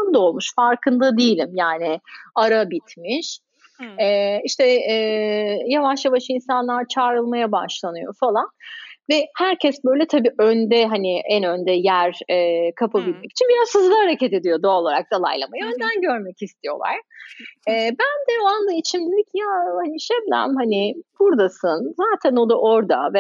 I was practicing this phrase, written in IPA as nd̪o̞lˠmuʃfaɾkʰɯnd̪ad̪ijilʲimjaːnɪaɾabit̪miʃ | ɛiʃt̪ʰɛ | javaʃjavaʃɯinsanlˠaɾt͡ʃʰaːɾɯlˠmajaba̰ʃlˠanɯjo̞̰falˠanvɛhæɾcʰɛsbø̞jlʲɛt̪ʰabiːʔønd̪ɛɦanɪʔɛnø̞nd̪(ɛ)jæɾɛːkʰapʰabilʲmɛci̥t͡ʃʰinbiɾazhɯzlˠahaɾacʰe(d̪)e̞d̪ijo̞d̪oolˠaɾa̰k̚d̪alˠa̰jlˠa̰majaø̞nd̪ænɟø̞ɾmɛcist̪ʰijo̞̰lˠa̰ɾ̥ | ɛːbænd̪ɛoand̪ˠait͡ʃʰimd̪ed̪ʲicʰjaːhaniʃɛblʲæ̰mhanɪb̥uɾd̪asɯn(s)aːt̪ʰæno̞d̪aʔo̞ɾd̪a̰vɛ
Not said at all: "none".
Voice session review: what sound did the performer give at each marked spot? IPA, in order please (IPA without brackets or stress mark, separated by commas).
ɛ, t̪, z